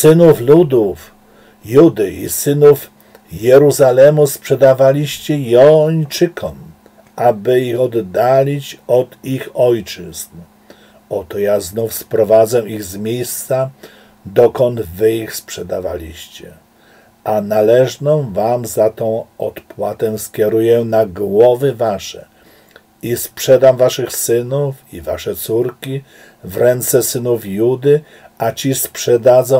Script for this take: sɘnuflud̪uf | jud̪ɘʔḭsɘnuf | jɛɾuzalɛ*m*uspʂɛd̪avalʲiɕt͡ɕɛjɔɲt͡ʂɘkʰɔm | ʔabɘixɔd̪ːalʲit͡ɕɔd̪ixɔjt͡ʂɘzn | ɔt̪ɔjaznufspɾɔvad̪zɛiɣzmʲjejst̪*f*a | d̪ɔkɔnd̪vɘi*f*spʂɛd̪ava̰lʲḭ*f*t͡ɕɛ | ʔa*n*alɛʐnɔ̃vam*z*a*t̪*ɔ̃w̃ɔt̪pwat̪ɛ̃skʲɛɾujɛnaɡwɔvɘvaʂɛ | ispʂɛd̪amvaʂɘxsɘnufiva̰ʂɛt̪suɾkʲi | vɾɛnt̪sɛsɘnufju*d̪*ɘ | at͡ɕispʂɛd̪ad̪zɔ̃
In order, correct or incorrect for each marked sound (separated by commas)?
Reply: correct, incorrect, incorrect, incorrect, correct, correct, correct, correct